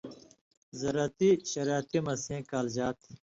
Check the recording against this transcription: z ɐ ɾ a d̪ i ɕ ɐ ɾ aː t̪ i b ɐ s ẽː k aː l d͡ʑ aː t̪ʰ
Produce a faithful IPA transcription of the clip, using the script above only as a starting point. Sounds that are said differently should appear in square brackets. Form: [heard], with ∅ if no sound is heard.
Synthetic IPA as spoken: z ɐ ɾ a [t̪] i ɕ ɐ ɾ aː t̪ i [m] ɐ s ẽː k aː l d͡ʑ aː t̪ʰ